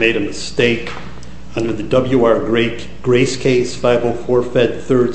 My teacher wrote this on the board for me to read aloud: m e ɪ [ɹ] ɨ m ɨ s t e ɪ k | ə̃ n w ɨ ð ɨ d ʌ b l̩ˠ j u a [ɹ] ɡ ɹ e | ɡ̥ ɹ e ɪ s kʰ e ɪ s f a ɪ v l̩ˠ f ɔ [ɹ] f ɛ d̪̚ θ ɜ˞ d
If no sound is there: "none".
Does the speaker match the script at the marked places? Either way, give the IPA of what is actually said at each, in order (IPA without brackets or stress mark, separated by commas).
ɾ, ɹ, ɹ